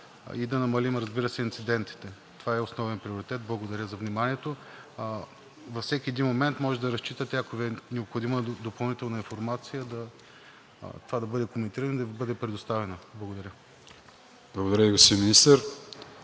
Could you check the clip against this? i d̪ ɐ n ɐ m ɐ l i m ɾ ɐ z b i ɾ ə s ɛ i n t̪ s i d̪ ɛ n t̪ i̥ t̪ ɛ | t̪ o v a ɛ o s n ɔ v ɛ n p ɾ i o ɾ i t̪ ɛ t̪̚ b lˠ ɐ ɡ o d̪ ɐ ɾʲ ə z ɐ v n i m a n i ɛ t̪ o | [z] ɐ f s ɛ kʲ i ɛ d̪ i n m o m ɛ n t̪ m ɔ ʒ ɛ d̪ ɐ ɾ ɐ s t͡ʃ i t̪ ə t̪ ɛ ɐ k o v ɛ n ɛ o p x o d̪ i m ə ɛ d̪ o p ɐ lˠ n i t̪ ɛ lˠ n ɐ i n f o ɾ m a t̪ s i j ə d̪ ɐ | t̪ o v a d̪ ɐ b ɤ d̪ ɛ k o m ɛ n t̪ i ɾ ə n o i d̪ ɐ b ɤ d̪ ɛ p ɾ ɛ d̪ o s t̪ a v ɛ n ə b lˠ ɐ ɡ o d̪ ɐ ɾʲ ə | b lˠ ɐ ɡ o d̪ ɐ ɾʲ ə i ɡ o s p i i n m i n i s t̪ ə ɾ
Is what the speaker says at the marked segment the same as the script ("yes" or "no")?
no